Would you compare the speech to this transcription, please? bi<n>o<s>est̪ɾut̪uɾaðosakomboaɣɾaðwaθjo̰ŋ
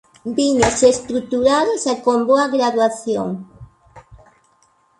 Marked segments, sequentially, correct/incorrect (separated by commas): incorrect, correct